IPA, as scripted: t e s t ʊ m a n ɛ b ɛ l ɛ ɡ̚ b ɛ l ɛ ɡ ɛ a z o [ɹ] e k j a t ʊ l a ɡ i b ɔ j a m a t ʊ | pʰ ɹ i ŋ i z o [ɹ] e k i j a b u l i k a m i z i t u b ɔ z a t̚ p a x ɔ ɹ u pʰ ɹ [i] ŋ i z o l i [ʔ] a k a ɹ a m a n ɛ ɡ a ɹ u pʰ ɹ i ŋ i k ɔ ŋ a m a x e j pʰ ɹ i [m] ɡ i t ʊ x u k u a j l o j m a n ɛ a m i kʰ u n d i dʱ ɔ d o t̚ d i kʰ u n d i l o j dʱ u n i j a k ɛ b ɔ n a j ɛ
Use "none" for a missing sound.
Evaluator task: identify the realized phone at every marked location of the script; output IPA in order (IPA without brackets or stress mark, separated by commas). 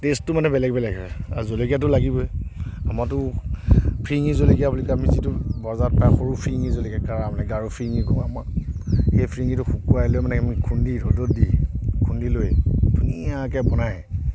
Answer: l, l, i, k, ŋ